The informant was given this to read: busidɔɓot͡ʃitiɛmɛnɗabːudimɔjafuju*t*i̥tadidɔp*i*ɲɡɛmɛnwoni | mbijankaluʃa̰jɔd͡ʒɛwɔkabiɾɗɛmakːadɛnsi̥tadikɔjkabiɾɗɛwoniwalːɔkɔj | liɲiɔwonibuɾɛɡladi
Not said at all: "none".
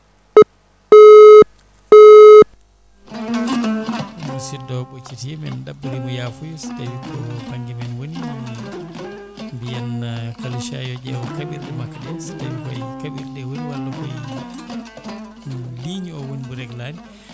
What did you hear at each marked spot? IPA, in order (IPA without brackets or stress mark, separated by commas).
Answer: s, a